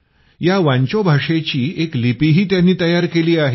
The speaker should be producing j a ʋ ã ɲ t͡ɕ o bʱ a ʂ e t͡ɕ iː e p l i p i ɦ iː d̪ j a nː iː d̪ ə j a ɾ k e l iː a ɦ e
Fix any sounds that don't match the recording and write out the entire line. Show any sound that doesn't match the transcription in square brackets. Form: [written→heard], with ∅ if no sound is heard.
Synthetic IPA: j a ʋ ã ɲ t͡ɕ o bʱ a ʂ e t͡ɕ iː e [p→k] l i p i ɦ iː [d̪→t̪] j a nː iː [d̪→t̪] ə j a ɾ k e l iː a ɦ e